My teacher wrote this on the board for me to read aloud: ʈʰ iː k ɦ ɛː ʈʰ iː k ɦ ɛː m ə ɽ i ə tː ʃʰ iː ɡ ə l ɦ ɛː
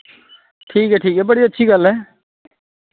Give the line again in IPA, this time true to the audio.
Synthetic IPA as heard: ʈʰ iː k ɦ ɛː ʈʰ iː k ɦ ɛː b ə ɽ i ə tː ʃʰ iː ɡ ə l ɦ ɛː